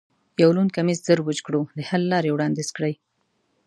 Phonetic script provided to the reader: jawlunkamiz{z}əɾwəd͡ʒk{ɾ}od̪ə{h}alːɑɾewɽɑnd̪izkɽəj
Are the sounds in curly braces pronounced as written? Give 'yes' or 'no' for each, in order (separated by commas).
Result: yes, no, yes